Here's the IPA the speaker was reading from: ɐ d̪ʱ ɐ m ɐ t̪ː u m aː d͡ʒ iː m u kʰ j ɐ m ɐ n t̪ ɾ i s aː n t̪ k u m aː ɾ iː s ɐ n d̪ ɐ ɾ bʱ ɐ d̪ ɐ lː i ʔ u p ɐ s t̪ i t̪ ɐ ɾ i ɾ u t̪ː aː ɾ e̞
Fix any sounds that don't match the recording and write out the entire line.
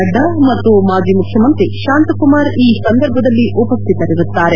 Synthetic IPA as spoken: ɐ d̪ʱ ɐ m ɐ t̪ː u m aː d͡ʒ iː m u kʰ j ɐ m ɐ n t̪ ɾ i ʃ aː n t̪ k u m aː ɾ iː s ɐ n d̪ ɐ ɾ bʱ ɐ d̪ ɐ lː i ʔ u p ɐ s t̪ i t̪ ɐ ɾ i ɾ u t̪ː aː ɾ e̞